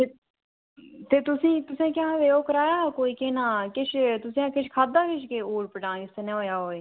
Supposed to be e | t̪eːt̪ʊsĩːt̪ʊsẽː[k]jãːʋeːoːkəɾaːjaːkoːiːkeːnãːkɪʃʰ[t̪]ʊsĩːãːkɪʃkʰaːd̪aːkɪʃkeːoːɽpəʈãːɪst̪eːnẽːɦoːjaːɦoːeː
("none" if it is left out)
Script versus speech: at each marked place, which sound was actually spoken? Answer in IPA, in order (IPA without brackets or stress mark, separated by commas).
k, t̪